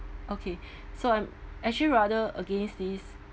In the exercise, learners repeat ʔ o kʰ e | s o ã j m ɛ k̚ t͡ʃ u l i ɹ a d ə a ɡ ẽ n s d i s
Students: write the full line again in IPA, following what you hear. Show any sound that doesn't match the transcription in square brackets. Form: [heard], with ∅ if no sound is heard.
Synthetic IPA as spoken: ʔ o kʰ e | s o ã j m ɛ k̚ t͡ʃ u l i ɹ a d ə [ə] ɡ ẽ n s d i s